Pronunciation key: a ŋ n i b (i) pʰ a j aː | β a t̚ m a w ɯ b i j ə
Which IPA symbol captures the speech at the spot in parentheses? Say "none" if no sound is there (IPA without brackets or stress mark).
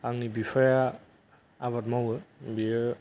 i